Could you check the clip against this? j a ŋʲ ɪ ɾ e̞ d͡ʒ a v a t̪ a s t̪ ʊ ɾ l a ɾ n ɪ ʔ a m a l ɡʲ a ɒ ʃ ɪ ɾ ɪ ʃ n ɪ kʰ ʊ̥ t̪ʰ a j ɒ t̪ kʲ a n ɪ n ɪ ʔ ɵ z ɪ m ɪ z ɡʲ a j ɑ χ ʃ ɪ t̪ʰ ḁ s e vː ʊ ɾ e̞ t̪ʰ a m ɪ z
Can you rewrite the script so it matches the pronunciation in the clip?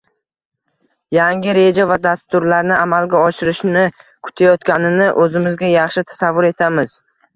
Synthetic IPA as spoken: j a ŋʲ ɪ ɾ e̞ d͡ʒ a v a d̪ a s t̪ ʊ ɾ l a ɾ n ɪ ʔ a m a l ɡʲ a ɒ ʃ ɪ ɾ ɪ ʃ n ɪ kʰ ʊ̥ t̪ʰ a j ɒ t̪ kʲ a n ɪ n ɪ ʔ ɵ z ɪ m ɪ z ɡʲ a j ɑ χ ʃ ɪ t̪ʰ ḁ s a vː ʊ ɾ e̞ t̪ʰ a m ɪ z